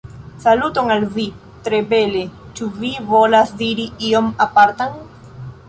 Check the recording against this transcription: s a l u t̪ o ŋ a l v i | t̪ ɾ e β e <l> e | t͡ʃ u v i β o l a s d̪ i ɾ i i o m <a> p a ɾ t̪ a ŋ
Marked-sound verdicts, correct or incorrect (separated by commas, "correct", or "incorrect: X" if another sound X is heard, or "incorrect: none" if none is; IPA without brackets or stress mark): correct, correct